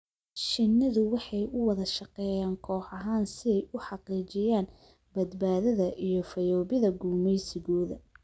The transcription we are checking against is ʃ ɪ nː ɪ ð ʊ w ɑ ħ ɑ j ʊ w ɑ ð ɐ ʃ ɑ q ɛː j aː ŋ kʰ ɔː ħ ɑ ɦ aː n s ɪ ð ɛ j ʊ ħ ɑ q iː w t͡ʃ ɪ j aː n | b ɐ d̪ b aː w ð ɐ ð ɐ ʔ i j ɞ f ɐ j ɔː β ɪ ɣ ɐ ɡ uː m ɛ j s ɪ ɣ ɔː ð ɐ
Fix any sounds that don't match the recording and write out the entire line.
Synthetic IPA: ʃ ɪ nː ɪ ð ʊ w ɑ ħ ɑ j ʊ w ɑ ð ɐ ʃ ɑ q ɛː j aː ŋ kʰ ɔː ħ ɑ ɦ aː n s ɪ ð ɛ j ʊ ħ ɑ q iː t͡ʃ ɪ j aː n | b ɐ d̪ b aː ð ɐ ð ɐ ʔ i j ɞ f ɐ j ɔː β ɪ ð ɐ ɡ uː m ɛ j s ɪ ɣ ɔː ð ɐ